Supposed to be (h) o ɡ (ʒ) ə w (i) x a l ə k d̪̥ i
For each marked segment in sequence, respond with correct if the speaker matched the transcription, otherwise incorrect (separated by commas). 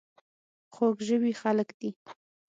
incorrect, correct, correct